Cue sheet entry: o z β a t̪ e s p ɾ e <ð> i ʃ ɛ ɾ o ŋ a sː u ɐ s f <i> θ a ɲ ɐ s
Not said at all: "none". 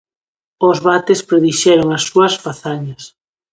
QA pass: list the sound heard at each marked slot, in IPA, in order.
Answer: ð, a

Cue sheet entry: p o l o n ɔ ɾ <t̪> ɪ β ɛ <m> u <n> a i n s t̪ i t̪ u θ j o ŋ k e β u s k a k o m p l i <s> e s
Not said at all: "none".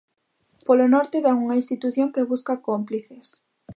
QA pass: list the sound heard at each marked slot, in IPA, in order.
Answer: t̪, ŋ, ŋ, θ

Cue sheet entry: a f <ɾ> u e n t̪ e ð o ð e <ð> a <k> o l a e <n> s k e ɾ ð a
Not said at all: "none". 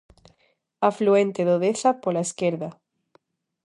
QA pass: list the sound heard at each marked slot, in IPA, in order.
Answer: l, θ, p, none

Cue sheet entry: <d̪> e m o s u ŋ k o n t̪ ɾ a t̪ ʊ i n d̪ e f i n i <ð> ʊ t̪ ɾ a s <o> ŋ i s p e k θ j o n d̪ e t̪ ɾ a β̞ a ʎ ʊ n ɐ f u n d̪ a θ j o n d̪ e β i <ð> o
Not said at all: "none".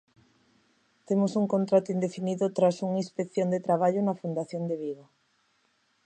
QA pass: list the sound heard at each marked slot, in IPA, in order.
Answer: t̪, ð, u, ɣ

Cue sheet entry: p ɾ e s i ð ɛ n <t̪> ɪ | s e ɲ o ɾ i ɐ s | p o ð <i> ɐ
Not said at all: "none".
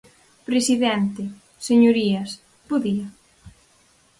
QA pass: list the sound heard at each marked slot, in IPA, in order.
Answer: t̪, i

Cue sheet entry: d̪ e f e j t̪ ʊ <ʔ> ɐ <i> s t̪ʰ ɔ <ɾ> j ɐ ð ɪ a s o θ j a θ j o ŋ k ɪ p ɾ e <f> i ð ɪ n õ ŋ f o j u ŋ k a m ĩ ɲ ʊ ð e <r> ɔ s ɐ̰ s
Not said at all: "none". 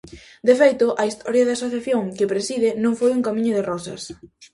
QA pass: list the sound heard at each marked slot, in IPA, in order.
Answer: ʔ, i, ɾ, s, r

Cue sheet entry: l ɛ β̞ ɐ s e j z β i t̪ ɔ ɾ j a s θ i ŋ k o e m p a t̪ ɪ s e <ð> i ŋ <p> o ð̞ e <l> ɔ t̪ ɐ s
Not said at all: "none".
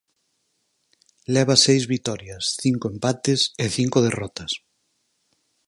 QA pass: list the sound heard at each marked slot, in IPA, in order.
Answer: θ, k, r

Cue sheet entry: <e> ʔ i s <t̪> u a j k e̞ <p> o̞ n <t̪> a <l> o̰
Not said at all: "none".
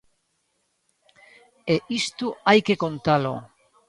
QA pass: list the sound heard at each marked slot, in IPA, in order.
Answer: e, t̪, k, t̪, l

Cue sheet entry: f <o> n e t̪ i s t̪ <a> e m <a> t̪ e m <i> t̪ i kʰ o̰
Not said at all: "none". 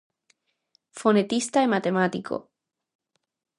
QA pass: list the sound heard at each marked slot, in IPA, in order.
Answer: o, a, a, a

